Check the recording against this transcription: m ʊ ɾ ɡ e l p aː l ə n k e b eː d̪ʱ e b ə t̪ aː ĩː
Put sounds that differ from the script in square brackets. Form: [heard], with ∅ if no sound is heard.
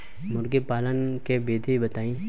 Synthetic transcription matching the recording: m ʊ ɾ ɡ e [∅] p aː l ə n k e b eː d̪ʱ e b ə t̪ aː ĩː